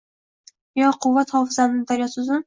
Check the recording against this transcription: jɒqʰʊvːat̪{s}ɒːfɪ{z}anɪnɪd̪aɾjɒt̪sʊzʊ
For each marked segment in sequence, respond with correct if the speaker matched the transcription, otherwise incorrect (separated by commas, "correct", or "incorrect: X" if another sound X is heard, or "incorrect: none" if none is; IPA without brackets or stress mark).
incorrect: h, correct